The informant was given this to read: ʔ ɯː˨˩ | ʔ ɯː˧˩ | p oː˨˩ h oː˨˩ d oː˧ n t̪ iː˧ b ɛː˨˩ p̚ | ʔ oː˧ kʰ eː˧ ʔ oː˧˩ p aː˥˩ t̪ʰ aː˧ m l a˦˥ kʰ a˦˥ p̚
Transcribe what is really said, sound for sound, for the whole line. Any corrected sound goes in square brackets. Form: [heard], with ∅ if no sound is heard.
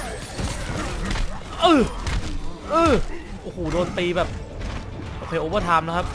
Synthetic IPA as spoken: ʔ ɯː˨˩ | ʔ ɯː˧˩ | [ʔ] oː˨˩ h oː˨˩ d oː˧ n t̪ iː˧ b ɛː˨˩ p̚ | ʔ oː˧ kʰ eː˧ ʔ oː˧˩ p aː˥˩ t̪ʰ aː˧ m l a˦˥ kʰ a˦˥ p̚